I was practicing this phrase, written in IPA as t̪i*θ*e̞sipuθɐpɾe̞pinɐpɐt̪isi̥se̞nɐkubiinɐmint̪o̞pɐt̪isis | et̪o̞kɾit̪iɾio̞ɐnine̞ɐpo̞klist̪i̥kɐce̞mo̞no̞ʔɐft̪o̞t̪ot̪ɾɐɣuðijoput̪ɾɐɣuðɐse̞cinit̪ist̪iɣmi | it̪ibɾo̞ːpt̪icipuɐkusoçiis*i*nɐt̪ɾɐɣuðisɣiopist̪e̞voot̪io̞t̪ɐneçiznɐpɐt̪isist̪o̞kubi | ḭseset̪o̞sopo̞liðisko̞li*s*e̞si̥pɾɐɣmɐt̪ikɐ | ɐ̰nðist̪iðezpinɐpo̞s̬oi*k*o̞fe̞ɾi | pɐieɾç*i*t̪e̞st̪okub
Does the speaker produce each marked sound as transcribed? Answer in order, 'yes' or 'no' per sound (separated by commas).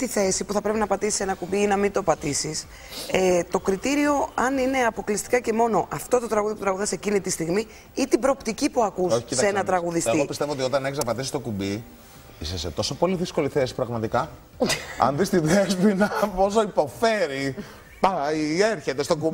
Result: yes, no, no, no, no